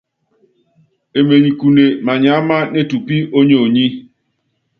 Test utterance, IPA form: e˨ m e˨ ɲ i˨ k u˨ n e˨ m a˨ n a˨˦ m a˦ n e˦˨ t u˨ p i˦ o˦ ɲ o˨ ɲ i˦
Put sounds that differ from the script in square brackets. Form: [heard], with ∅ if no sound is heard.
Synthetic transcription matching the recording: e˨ m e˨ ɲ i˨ k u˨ n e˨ m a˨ [ɲ] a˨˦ m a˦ n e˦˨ t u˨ p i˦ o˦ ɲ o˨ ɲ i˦